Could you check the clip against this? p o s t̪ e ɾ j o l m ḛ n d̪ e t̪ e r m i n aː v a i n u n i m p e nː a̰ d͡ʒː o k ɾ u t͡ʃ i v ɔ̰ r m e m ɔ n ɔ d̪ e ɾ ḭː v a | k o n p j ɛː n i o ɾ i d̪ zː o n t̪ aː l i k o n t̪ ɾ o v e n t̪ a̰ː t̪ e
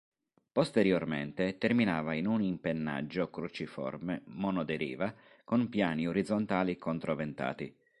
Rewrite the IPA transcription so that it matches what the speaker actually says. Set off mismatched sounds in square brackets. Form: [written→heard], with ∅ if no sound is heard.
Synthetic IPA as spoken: p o s t̪ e ɾ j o [l→r] m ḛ n [d̪→t̪] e t̪ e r m i n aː v a i n u n i m p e nː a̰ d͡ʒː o k ɾ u t͡ʃ i [v→f] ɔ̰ r m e m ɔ n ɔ d̪ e ɾ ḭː v a | k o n p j [ɛː→aː] n i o ɾ i d̪ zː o n t̪ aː l i k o n t̪ ɾ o v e n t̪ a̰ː t̪ [e→i]

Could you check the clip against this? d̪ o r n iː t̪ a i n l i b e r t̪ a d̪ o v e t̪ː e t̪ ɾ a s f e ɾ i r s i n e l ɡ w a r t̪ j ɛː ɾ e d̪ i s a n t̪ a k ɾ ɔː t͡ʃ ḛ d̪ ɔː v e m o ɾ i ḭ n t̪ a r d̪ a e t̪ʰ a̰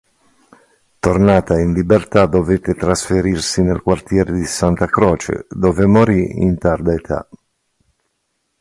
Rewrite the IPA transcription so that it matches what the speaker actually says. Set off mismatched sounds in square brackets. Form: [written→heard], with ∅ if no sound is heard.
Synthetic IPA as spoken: [d̪→t̪] o r n [iː→aː] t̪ a i n l i b e r t̪ a d̪ o v e t̪ː e t̪ ɾ a s f e ɾ i r s i n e l [ɡ→k] w a r t̪ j ɛː ɾ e d̪ i s a n t̪ a k ɾ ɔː t͡ʃ ḛ d̪ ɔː v e m o ɾ i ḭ n t̪ a r d̪ a e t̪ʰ a̰

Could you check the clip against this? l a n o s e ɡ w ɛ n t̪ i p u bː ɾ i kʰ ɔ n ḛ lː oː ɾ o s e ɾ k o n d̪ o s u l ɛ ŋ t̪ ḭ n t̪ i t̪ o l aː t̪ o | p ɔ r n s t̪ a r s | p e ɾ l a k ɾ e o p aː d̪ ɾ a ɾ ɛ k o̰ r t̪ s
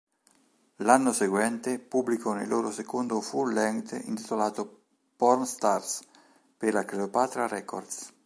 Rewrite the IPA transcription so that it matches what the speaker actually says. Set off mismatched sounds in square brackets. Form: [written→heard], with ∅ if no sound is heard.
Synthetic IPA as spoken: l a [n→nː] o s e ɡ w ɛ n t̪ [i→e] p u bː [ɾ→l] i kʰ ɔ n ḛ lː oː ɾ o s e [ɾ→∅] k o n d̪ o [s→f] u l ɛ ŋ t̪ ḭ n t̪ i t̪ o l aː t̪ o | p ɔ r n s t̪ a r s | p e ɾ l a k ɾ e o p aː [d̪→t̪] ɾ a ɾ ɛ k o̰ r [t̪→d̪] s

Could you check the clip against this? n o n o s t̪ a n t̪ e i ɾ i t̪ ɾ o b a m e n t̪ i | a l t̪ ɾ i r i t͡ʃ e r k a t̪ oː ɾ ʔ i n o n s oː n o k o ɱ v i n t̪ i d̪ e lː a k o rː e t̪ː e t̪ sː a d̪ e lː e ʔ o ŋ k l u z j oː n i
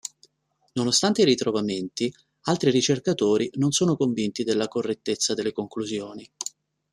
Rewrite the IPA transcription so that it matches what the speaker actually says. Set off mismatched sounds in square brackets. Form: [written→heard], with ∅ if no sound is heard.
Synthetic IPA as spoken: n o n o s t̪ a n t̪ e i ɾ i t̪ ɾ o [b→v] a m e n t̪ i | a l t̪ ɾ i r i t͡ʃ e r k a t̪ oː ɾ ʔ i n o n s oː n o k o ɱ v i n t̪ i d̪ e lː a k o rː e t̪ː e t̪ sː a d̪ e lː e [ʔ→k] o ŋ k l u z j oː n i

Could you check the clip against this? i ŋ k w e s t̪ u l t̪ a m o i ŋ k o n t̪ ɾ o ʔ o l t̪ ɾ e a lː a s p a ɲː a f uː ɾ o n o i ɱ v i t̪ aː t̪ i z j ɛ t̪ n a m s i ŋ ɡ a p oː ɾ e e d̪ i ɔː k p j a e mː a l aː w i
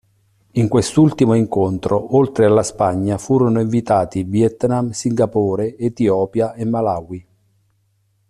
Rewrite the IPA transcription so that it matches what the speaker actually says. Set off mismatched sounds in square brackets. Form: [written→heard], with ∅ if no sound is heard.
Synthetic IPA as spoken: i ŋ k w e s t̪ u l t̪ [a→i] m o i ŋ k o n t̪ ɾ o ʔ o l t̪ ɾ e a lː a s p a ɲː a f uː ɾ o n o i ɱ v i t̪ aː t̪ i [z→v] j ɛ t̪ n a m s i ŋ ɡ a p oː ɾ e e [d̪→t̪] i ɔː [k→∅] p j a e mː a l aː w i

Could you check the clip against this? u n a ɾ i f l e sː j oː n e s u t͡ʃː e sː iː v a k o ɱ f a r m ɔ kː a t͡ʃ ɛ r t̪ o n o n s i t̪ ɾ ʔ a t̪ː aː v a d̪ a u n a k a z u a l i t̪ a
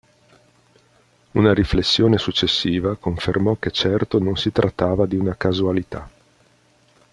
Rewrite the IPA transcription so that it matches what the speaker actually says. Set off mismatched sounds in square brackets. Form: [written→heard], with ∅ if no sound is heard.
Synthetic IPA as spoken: u n a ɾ i f l e sː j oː n e s u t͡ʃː e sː iː v a k o ɱ f [a→e] r m ɔ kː [a→e] t͡ʃ ɛ r t̪ o n o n s i t̪ ɾ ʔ a t̪ː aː v a d̪ [a→i] u n a k a z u a l i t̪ a

